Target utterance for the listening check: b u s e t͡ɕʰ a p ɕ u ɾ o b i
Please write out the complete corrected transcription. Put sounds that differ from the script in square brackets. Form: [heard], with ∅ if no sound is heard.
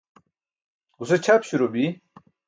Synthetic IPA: [ɡ] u s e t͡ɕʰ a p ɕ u ɾ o b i